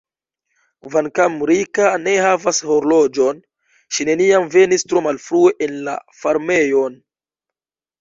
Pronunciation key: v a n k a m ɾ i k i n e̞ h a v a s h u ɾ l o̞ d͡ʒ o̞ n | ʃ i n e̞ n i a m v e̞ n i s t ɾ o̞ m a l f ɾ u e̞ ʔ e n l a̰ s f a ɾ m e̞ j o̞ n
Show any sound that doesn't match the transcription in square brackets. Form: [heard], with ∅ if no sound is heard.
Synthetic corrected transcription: v a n k a m ɾ i k [a] n e̞ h a v a s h [o] ɾ l o̞ d͡ʒ o̞ n | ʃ i n e̞ n i a m v e̞ n i s t ɾ o̞ m a l f ɾ u e̞ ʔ e n l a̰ [∅] f a ɾ m e̞ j o̞ n